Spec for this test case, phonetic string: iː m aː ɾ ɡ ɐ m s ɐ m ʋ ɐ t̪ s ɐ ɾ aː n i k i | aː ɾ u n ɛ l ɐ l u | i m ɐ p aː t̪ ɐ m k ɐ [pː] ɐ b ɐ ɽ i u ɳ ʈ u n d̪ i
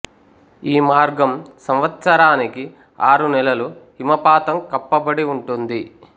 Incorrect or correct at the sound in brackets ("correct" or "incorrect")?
correct